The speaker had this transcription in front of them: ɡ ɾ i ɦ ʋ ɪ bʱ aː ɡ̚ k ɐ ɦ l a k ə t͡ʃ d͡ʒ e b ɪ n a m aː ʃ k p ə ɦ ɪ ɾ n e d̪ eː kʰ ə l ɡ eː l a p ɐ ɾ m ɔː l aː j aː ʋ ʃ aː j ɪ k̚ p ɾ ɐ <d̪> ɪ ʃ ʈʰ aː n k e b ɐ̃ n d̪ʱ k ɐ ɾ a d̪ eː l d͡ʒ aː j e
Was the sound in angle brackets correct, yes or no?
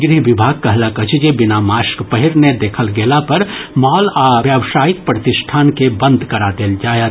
no